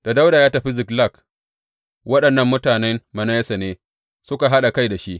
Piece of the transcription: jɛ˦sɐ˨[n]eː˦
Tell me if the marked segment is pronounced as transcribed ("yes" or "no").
yes